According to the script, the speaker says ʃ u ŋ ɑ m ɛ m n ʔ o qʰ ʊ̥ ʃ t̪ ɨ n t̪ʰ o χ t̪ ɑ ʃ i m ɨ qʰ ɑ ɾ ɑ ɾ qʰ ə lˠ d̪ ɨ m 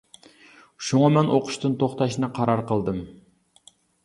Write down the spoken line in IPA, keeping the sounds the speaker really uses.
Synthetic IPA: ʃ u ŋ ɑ m ɛ n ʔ o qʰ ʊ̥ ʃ t̪ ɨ n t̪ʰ o χ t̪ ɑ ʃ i n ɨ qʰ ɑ ɾ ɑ ɾ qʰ ə lˠ d̪ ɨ m